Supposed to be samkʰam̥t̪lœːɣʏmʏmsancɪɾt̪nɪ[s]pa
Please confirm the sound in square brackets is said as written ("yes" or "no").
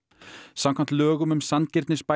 yes